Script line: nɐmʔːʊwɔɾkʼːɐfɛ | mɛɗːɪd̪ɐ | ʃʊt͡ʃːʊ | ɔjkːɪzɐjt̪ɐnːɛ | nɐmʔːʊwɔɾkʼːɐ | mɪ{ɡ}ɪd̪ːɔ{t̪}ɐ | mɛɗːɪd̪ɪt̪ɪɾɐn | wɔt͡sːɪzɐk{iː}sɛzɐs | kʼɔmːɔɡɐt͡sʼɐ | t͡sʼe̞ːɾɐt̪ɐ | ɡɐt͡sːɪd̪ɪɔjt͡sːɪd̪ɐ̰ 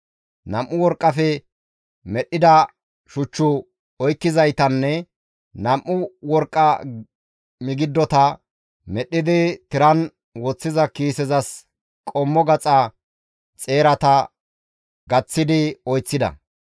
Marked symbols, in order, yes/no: yes, yes, yes

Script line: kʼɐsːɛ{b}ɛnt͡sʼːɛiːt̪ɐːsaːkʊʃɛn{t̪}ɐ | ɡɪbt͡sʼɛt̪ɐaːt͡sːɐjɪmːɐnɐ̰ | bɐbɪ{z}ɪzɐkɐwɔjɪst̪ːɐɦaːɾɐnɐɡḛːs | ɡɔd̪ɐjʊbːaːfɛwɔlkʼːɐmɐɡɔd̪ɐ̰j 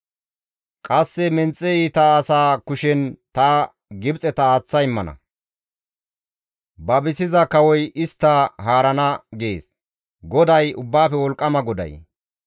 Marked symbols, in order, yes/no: no, yes, no

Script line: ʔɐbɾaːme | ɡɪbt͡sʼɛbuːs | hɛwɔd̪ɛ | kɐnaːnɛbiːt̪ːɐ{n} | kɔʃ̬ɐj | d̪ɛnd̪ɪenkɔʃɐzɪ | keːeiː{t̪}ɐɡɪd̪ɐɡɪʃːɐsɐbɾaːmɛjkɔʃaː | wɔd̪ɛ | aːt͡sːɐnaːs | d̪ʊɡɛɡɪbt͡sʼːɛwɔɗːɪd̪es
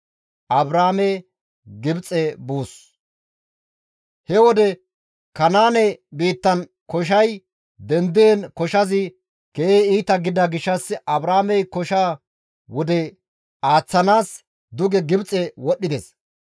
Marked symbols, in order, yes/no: yes, yes

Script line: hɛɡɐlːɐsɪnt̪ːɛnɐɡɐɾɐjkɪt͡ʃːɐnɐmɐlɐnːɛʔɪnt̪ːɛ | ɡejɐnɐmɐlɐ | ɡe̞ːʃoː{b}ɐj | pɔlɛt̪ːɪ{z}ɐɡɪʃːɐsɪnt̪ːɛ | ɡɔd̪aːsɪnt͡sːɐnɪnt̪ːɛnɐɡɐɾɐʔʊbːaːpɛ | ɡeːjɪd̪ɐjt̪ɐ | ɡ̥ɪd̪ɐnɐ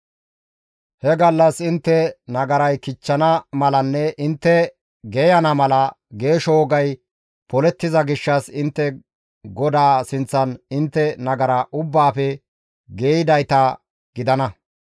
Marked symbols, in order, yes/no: no, yes

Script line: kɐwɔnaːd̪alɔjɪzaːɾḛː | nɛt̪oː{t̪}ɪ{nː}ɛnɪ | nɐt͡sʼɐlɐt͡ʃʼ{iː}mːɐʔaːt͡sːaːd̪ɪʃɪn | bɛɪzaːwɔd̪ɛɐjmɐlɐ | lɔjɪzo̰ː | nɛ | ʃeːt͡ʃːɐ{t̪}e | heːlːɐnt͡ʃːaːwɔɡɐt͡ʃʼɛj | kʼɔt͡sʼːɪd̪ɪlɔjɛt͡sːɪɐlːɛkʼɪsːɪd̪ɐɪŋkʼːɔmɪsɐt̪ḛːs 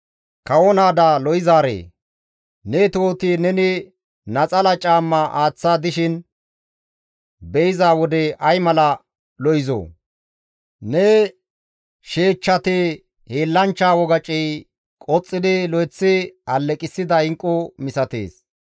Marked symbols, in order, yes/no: yes, no, no, yes

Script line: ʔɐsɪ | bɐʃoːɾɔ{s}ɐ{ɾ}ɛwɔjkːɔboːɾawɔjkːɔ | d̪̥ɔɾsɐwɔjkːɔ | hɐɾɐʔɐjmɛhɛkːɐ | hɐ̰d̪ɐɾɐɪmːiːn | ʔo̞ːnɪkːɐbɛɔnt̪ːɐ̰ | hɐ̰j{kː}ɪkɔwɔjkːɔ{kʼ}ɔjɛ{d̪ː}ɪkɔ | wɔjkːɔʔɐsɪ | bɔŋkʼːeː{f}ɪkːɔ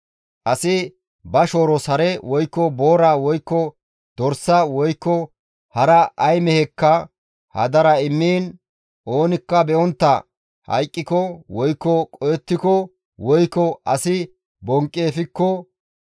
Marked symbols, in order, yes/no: yes, yes, no, yes, no, yes

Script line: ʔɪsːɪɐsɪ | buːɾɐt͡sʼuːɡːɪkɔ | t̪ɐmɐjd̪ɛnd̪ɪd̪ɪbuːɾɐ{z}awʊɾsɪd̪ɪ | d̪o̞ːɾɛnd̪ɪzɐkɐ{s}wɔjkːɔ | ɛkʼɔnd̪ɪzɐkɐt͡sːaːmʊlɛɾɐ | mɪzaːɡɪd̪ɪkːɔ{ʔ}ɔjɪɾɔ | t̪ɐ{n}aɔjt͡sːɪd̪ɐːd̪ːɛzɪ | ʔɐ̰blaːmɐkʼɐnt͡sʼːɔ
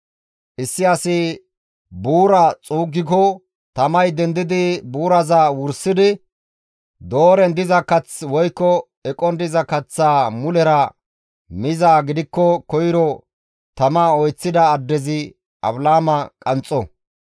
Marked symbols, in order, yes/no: yes, no, no, no

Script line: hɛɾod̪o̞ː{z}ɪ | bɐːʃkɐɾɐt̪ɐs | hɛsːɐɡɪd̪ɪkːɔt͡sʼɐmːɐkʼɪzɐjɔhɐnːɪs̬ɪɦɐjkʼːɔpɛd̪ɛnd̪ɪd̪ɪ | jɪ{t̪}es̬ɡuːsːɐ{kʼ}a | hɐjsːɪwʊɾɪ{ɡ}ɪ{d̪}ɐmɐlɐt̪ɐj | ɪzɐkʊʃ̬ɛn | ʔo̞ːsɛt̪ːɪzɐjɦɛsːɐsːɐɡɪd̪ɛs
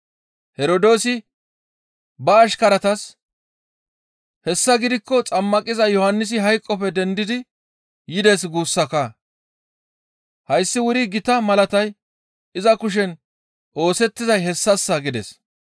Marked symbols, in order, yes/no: no, no, no, yes, no

